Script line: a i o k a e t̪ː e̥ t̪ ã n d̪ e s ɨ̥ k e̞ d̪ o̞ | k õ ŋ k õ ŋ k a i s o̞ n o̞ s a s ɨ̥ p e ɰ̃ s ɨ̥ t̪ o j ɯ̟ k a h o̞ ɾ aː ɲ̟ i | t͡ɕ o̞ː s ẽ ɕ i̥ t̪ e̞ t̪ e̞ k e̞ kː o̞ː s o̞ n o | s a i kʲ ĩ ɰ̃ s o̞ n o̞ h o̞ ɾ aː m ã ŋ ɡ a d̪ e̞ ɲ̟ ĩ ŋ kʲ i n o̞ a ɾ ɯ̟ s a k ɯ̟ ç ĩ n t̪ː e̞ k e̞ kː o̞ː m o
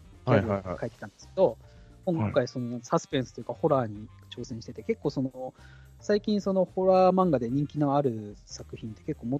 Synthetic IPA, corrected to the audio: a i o k a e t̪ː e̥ t̪ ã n d̪ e s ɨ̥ k e̞ d̪ o̞ | k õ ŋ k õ ŋ k a i s o̞ n o̞ s a s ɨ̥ p e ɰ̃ s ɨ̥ t̪ o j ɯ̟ k a h o̞ ɾ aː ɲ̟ i | t͡ɕ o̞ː s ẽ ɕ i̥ t̪ e̞ t̪ e̞ k e̞ kː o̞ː s o̞ n o | s a i kʲ ĩ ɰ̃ s o̞ n o̞ h o̞ ɾ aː m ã ŋ ɡ a d̪ e̞ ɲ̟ ĩ ŋ kʲ i n o̞ a ɾ ɯ̟ s a k ɯ̟ ç ĩ n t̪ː e̞ k e̞ kː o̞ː m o